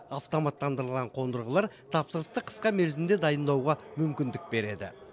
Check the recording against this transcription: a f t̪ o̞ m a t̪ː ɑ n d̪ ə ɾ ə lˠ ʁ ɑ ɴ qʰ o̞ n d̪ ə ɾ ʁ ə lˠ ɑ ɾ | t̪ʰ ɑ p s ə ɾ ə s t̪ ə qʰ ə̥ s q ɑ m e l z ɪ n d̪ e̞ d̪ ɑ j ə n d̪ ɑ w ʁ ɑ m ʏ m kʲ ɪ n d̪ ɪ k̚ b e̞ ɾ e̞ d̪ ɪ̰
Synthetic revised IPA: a f t̪ o̞ m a t̪ː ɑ n d̪ ə ɾ ə lˠ ʁ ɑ ɴ qʰ o̞ n d̪ ə ɾ ʁ ə lˠ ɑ ɾ | t̪ʰ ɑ p s ə ɾ ə s t̪ ə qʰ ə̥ s q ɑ m e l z ɪ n d̪ e̞ d̪ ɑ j ə n d̪ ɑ w ʁ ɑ m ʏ m kʲ ɪ n d̪ ɪ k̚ b e̞ ɾ e̞ d̪ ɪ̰